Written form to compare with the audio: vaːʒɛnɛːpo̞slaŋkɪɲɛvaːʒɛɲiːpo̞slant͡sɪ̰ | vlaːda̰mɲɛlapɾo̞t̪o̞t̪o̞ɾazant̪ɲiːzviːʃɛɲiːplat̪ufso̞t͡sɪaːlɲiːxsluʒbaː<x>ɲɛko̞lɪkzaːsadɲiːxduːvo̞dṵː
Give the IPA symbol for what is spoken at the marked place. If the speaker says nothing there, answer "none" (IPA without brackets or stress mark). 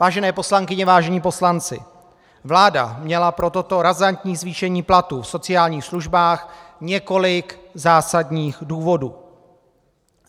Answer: x